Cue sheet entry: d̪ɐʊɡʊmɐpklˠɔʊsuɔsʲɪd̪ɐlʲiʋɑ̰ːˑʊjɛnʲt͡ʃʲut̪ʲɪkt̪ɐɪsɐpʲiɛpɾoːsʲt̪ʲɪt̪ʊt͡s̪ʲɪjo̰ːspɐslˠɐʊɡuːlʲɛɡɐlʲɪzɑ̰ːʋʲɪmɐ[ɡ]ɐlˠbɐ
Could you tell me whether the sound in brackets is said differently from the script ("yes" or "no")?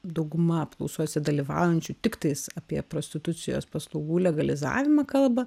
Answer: yes